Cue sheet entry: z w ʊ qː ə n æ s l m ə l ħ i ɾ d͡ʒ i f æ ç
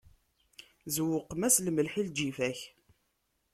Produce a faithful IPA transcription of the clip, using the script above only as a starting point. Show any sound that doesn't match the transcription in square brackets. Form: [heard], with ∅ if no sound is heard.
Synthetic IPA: z w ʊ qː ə [m] æ s l m ə l ħ i [l] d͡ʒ i f æ ç